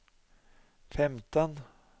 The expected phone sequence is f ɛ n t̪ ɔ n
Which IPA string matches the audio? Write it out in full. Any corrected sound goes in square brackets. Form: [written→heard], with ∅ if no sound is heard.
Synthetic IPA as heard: f ɛ [n→m] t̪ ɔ n